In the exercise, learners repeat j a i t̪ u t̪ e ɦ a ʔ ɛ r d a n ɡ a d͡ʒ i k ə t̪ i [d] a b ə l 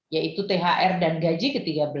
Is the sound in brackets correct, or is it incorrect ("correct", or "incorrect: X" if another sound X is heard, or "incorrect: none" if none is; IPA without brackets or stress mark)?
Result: incorrect: ɡ